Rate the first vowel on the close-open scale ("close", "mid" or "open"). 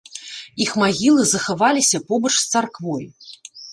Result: close